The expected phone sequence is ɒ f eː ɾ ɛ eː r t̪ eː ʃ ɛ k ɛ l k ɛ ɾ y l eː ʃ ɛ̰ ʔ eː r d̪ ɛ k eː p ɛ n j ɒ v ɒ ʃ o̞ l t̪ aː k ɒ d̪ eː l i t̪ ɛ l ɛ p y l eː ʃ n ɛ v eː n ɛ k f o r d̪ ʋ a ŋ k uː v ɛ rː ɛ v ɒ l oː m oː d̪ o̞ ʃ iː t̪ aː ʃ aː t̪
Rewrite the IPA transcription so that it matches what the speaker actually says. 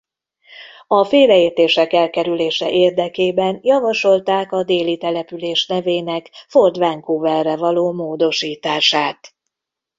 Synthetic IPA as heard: ɒ f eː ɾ ɛ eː r t̪ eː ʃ ɛ k ɛ l k ɛ ɾ y l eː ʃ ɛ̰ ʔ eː r d̪ ɛ k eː b ɛ n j ɒ v ɒ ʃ o̞ l t̪ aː k ɒ d̪ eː l i t̪ ɛ l ɛ p y l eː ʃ n ɛ v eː n ɛ k f o r d̪ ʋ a ŋ k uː v ɛ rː ɛ v ɒ l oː m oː d̪ o̞ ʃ iː t̪ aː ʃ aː t̪